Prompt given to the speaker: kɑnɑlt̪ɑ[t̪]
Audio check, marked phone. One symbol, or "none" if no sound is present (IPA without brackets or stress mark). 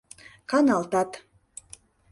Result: t̪